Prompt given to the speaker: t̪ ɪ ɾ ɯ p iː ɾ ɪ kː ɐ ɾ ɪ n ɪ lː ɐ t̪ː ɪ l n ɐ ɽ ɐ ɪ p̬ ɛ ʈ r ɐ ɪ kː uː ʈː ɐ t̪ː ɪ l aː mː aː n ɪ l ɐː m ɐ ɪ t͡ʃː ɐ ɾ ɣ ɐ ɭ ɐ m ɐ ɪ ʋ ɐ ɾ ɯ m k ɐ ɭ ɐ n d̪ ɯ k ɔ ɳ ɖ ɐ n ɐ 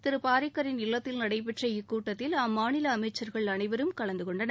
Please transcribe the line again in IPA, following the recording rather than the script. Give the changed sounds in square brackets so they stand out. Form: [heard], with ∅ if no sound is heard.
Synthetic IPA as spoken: t̪ ɪ ɾ ɯ p [aː] ɾ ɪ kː ɐ ɾ ɪ n ɪ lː ɐ t̪ː ɪ l n ɐ ɽ ɐ ɪ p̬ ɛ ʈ r ɐ ɪ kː uː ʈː ɐ t̪ː ɪ l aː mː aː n ɪ l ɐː m ɐ ɪ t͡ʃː ɐ ɾ ɣ ɐ ɭ ɐ [n] ɐ ɪ ʋ ɐ ɾ ɯ m k ɐ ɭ ɐ n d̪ ɯ k ɔ ɳ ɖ ɐ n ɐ